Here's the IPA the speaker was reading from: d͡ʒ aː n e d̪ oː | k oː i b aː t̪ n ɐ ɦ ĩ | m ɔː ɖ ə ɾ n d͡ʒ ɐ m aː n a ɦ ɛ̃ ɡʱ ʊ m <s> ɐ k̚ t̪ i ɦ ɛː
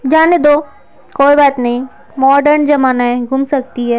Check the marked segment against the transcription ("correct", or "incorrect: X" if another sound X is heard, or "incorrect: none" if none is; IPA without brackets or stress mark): correct